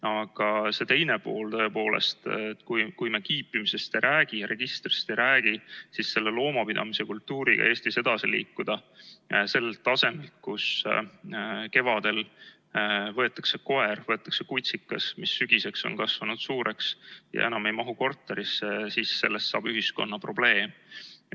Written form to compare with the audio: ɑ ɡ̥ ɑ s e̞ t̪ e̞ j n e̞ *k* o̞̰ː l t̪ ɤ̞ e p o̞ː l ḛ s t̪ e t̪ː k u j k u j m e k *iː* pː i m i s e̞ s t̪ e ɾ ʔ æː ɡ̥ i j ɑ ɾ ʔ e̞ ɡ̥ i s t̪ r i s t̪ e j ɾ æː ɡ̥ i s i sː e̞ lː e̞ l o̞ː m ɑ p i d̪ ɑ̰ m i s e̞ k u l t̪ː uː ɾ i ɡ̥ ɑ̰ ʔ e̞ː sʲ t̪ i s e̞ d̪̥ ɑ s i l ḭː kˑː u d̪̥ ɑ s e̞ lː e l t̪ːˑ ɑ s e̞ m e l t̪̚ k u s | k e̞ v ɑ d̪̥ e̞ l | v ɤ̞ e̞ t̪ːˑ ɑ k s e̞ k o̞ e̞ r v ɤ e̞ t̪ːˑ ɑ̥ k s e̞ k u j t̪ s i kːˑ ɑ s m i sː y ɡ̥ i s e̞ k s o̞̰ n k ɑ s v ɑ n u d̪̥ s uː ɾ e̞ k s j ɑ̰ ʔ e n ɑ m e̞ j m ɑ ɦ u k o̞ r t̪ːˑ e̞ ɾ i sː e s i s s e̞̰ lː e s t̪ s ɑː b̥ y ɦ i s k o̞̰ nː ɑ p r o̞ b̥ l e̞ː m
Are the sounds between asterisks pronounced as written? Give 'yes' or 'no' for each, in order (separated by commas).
no, yes